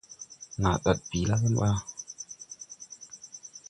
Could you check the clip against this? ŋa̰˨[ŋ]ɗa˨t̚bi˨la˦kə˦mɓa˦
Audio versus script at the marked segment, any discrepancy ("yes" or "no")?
yes